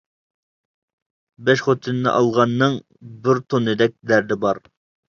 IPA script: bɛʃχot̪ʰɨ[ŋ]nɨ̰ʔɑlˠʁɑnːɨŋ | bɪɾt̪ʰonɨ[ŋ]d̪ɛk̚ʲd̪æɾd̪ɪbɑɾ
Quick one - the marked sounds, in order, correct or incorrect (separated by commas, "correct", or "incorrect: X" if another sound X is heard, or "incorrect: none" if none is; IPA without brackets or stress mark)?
incorrect: n, incorrect: none